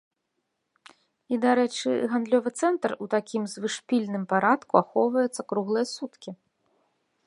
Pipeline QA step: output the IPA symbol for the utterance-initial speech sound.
i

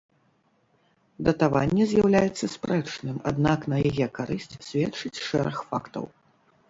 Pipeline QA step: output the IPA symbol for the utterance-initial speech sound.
d̪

